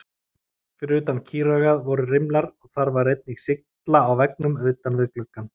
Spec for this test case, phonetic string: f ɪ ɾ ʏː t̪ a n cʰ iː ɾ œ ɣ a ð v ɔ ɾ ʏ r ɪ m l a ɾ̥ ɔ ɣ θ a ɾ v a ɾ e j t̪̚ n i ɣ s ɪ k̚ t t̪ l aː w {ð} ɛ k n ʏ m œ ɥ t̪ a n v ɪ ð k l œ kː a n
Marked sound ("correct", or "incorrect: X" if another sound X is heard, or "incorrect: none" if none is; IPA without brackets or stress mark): incorrect: v